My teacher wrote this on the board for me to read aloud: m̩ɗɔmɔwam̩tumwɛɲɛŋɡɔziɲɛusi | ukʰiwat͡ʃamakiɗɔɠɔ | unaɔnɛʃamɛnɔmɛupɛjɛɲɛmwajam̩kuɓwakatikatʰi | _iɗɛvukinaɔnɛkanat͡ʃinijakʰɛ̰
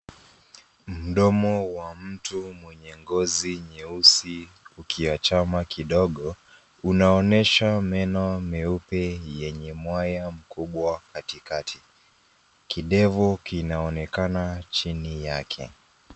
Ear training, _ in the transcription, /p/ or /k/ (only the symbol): k